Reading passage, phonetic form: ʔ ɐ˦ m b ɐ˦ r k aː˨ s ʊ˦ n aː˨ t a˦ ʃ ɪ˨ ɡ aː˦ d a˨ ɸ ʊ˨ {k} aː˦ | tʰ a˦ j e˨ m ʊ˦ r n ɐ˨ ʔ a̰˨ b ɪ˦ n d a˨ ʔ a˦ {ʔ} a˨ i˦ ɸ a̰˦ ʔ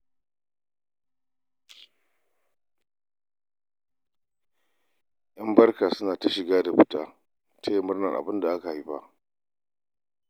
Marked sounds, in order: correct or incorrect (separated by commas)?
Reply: incorrect, incorrect